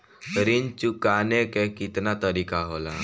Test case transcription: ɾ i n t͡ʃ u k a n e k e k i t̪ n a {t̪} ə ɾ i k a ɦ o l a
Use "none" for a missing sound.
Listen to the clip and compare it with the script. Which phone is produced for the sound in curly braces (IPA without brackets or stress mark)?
t̪